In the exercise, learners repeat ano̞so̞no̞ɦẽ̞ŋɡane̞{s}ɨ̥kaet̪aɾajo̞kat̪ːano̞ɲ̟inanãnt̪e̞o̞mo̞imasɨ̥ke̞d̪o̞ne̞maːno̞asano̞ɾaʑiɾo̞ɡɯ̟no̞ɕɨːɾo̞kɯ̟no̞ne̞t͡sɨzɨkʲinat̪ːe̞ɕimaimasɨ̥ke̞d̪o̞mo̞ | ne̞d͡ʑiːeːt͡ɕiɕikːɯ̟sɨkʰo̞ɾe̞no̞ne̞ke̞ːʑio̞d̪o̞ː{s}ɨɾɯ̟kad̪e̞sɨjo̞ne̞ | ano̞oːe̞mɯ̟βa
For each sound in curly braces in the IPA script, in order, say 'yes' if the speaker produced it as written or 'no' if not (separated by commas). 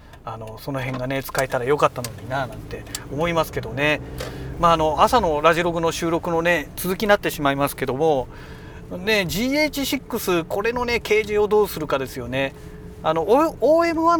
no, yes